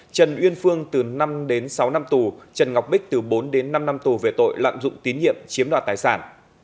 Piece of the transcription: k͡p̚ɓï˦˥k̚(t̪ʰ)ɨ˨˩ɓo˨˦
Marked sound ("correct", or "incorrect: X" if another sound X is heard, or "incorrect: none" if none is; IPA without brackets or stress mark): incorrect: t̪